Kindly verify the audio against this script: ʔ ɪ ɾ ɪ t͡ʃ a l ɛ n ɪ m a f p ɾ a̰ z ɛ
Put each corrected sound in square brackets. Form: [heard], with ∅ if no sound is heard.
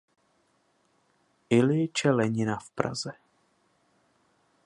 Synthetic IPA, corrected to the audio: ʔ ɪ [l] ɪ t͡ʃ [ɛ] l ɛ [ɲ] ɪ [n] a f p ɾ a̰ z ɛ